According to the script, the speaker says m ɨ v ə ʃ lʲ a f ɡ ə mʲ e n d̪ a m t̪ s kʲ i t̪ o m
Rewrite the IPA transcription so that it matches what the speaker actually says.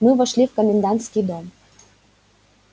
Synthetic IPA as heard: m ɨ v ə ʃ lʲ i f k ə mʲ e n d̪ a n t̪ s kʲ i d̪ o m